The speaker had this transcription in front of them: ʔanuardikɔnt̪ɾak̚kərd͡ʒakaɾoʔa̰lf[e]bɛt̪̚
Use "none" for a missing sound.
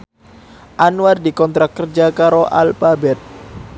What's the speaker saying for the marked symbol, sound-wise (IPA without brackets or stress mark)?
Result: a